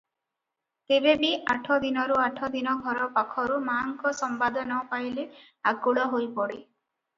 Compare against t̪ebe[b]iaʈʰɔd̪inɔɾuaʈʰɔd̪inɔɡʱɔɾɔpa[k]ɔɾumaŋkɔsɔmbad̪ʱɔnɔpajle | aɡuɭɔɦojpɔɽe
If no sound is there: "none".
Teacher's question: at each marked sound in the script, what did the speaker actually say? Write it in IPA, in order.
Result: b, kʰ

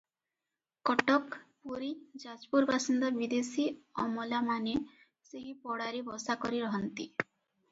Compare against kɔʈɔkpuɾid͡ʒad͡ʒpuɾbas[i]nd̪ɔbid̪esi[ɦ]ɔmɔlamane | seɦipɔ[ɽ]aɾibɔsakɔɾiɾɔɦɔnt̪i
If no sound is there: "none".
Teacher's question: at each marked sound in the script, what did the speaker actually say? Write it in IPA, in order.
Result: i, none, ɽ

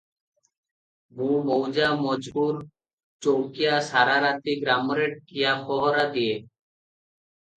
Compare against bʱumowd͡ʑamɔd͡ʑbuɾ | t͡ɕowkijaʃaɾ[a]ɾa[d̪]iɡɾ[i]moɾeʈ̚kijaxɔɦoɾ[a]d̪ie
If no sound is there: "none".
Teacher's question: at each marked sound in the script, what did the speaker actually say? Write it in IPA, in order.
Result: a, t̪, a, a

